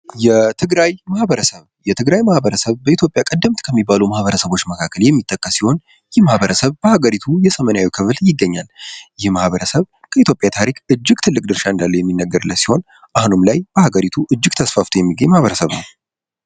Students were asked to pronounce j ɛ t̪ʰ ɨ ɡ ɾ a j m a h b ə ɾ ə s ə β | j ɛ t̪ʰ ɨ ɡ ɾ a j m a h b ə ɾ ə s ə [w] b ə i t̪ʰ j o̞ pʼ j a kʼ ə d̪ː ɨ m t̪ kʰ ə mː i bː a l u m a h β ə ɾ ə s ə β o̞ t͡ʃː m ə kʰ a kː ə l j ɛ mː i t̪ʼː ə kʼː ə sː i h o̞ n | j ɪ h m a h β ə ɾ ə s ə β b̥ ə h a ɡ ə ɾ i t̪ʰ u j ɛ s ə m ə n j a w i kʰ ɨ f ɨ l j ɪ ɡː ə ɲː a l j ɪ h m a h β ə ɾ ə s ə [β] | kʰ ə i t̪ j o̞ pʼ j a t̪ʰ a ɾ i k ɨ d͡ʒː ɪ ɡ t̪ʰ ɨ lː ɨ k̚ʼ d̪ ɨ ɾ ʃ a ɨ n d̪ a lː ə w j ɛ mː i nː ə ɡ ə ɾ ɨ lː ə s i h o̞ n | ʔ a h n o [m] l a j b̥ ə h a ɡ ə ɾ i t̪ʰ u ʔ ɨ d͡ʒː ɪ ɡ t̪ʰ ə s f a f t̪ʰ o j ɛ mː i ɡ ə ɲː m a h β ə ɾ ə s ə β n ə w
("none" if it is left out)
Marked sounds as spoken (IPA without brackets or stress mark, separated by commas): β, β, m